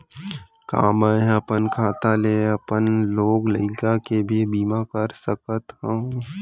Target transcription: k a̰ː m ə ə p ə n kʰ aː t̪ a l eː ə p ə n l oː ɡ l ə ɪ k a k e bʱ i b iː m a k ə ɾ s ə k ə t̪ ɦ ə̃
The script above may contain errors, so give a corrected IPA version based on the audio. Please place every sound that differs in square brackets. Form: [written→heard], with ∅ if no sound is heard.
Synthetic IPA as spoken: k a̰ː m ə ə p ə n kʰ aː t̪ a l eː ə p ə n l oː ɡ l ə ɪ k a k e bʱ i b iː m a k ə ɾ s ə k ə t̪ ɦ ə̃